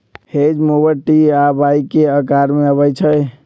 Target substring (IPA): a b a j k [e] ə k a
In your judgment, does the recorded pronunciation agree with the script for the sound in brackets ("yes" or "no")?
yes